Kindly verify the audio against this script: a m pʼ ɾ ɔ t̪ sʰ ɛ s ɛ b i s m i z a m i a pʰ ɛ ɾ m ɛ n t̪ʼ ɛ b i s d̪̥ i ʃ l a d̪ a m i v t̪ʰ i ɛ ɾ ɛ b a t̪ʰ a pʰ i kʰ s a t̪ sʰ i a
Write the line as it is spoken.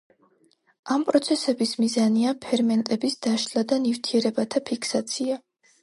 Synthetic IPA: a m pʼ ɾ ɔ t̪ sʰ ɛ s ɛ b i s m i z a n i a pʰ ɛ ɾ m ɛ n t̪ʼ ɛ b i s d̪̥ a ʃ l a d̪ a n i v t̪ʰ i ɛ ɾ ɛ b a t̪ʰ a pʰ i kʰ s a t̪ sʰ i a